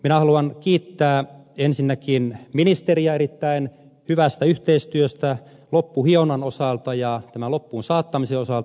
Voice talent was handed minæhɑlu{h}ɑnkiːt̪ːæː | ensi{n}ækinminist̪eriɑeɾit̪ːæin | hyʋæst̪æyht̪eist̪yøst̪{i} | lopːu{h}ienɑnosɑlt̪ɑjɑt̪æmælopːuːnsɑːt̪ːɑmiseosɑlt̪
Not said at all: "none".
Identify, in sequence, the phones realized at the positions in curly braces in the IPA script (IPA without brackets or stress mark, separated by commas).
none, nː, æ, h